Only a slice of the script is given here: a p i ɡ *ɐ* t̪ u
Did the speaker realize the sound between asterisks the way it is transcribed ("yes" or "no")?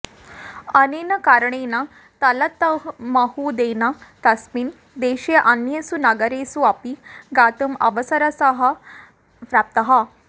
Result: no